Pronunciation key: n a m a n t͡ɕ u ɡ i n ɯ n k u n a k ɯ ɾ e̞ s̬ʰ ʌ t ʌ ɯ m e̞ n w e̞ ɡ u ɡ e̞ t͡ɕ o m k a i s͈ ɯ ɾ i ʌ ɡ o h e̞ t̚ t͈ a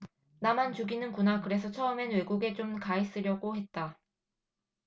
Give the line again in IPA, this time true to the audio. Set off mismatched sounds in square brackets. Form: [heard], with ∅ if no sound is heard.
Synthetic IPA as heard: n a m a n t͡ɕ u ɡ i n ɯ n k u n a k ɯ ɾ e̞ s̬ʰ ʌ [t͡ɕʰ] ʌ ɯ m e̞ n w e̞ ɡ u ɡ e̞ t͡ɕ o m k a i s͈ ɯ ɾ [j] ʌ ɡ o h e̞ t̚ t͈ a